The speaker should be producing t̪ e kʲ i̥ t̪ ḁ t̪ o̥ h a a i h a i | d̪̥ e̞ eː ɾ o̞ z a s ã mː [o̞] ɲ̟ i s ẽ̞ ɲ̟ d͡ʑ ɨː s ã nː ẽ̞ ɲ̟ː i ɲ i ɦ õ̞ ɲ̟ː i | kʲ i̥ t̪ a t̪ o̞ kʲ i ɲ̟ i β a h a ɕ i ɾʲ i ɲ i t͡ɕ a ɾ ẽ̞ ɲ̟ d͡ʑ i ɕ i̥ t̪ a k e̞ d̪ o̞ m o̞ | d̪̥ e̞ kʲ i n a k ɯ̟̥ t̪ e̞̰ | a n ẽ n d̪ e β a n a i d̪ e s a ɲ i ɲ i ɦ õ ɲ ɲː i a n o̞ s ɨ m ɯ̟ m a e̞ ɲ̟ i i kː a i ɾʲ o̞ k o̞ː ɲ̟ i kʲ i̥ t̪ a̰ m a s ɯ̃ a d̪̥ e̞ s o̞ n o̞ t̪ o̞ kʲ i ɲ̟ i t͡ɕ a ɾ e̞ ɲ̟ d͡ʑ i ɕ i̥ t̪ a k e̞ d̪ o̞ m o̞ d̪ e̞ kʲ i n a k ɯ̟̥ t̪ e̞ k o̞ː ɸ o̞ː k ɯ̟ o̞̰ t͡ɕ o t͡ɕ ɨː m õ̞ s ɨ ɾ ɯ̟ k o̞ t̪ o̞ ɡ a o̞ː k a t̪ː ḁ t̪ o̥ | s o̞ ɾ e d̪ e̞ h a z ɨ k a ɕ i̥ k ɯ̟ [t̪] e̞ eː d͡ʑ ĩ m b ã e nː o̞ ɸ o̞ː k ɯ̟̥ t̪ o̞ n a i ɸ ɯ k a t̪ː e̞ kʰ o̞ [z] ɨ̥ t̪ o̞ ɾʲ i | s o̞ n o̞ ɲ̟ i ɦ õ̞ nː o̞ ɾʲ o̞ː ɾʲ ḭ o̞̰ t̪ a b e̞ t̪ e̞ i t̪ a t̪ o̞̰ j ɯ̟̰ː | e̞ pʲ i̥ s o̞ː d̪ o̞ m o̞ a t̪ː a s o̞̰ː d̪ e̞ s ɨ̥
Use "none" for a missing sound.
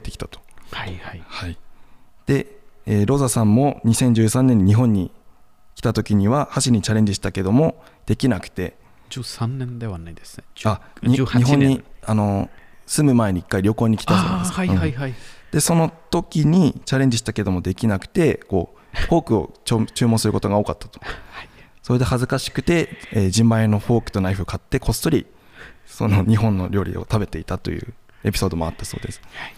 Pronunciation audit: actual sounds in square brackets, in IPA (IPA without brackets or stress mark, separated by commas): o̞, t̪, s